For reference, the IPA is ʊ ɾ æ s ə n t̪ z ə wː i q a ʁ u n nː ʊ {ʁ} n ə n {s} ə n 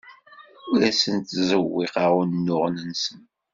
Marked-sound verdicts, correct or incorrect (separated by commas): correct, correct